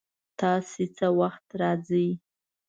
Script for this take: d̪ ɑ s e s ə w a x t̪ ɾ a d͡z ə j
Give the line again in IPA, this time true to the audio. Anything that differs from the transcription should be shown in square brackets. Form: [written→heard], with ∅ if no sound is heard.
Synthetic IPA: [d̪→t̪] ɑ s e [s→t͡s] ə w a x t̪ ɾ [a→ɑ] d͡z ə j